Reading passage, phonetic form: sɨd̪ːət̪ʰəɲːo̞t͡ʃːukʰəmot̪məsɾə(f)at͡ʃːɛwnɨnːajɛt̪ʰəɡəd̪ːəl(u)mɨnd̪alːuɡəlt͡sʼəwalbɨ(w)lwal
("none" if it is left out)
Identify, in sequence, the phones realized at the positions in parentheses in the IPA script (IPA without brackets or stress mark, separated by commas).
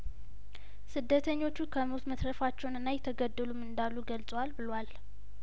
f, u, none